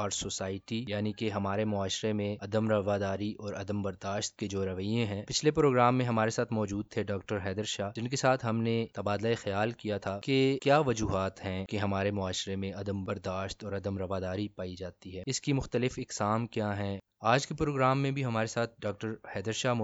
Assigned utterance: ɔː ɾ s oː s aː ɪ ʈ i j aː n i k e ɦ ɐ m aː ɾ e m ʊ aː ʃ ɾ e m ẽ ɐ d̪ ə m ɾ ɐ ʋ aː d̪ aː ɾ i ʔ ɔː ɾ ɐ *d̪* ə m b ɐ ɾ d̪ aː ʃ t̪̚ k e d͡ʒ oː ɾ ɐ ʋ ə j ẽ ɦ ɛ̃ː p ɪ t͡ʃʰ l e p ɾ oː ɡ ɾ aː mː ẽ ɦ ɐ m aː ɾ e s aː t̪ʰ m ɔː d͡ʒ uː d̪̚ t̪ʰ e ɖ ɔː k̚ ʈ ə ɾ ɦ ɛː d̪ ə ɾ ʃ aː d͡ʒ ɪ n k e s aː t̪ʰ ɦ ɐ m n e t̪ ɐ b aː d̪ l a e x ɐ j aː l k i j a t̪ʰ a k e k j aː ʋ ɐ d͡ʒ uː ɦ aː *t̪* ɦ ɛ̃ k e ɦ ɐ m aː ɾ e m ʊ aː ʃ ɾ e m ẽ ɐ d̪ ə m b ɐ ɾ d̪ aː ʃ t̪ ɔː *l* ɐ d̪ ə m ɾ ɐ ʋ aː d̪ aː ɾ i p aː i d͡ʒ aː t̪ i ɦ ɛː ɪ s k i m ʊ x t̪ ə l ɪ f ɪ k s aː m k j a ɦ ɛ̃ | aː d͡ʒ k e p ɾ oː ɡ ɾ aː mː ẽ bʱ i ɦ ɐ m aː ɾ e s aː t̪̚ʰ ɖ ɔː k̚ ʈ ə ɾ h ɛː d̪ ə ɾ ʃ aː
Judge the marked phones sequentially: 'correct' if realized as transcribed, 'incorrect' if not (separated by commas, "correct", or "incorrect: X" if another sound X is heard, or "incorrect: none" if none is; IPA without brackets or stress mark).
correct, correct, incorrect: ɾ